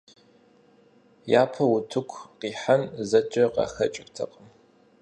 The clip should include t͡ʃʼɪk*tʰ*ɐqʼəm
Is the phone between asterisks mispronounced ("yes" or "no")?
no